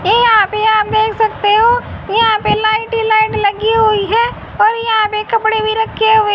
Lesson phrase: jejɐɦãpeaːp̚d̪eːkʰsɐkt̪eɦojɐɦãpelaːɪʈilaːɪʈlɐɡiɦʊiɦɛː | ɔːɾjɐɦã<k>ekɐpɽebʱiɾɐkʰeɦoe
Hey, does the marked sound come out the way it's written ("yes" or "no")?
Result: no